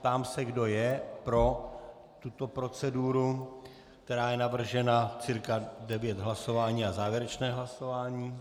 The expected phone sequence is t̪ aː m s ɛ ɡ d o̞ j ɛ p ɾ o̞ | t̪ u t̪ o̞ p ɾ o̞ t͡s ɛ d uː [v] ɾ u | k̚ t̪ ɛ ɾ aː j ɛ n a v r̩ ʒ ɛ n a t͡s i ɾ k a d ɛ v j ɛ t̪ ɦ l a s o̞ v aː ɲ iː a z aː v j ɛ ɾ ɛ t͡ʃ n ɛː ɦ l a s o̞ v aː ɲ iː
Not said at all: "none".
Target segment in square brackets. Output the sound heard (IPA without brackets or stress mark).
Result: none